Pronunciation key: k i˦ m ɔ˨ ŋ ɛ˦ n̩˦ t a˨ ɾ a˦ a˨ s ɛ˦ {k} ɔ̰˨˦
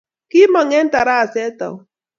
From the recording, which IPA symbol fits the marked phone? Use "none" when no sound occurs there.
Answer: t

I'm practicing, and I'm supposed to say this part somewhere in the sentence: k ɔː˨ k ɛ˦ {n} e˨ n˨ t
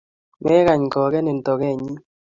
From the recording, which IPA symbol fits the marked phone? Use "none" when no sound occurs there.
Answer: n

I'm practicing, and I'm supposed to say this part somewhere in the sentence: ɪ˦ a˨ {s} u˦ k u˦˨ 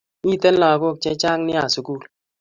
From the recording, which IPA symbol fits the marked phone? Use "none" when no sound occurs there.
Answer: s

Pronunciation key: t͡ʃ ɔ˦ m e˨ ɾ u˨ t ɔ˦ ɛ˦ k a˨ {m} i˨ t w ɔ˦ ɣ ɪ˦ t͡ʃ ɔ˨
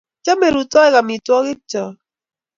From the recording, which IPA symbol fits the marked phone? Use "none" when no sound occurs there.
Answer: m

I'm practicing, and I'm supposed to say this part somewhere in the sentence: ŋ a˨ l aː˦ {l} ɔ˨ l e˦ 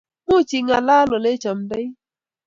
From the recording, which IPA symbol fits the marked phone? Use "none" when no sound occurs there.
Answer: l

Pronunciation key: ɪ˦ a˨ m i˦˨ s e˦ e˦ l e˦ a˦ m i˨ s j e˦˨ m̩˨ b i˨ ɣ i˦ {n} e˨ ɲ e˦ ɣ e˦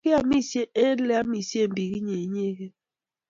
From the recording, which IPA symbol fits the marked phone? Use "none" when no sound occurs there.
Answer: ɲ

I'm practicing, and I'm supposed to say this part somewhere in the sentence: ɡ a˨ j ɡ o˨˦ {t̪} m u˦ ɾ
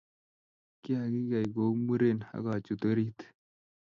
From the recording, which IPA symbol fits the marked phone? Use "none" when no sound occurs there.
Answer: none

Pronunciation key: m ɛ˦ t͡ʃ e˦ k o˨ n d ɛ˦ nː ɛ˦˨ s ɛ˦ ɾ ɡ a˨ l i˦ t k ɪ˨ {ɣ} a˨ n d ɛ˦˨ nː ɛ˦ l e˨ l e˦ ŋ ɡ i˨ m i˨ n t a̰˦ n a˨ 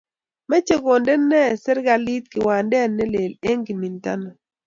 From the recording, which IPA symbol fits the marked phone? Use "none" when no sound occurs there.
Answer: w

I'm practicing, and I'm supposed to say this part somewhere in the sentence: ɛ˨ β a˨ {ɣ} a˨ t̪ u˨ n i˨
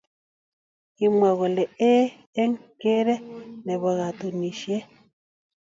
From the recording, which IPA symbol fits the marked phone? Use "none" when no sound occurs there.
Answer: ɣ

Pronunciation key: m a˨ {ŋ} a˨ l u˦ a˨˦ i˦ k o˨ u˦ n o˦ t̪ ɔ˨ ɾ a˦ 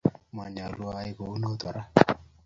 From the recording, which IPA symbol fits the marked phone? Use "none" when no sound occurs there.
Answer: ɲ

